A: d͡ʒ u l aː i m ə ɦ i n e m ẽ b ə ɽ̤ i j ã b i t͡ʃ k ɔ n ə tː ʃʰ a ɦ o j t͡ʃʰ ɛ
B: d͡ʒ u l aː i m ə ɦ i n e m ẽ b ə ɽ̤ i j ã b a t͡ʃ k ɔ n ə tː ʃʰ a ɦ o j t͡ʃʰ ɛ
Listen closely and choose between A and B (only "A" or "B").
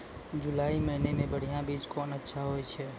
A